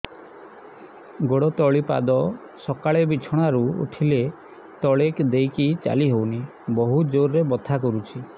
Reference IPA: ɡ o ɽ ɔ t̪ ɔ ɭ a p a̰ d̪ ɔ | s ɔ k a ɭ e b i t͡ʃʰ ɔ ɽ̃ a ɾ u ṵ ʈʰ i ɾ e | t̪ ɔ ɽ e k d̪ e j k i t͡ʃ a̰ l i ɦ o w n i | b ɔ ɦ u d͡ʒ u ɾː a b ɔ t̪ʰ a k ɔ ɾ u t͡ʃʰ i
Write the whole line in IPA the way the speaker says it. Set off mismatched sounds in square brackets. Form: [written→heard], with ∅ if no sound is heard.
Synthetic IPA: ɡ o ɽ ɔ t̪ ɔ ɭ [a→i] p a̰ d̪ ɔ | s ɔ k a ɭ e b i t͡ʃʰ ɔ ɽ̃ a ɾ u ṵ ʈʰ i [ɾ→l] e | t̪ ɔ [ɽ→ɭ] e k d̪ e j k i t͡ʃ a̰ l i ɦ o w n i | b ɔ ɦ u d͡ʒ [u→o] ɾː [a→e] b ɔ t̪ʰ a k ɔ ɾ u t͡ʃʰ i